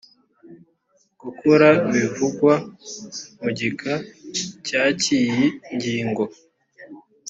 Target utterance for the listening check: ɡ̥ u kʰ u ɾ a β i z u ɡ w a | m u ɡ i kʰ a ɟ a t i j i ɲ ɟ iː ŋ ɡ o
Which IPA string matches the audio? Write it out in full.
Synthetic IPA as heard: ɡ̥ u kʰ u ɾ a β i v u ɡ w a | m u ɟ i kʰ a c a c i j i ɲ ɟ iː ŋ ɡ o